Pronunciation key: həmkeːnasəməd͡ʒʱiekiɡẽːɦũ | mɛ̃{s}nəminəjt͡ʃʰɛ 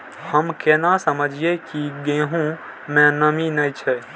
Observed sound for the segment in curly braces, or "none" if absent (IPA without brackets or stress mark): none